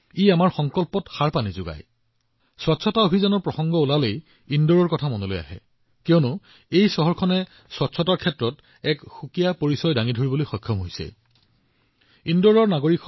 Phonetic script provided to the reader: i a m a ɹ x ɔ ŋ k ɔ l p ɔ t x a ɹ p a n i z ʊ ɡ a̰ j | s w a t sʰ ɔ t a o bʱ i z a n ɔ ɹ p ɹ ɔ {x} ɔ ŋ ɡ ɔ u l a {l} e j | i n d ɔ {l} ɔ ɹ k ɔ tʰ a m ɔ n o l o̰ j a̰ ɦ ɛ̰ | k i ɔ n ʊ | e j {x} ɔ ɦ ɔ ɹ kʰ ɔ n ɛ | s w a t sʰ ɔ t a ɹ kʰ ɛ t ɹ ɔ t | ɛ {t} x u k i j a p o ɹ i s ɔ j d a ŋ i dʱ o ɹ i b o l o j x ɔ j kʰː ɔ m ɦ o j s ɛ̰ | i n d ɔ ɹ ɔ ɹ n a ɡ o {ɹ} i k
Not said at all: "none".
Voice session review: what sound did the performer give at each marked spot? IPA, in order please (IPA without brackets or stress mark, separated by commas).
x, l, ɹ, s, k, ɹ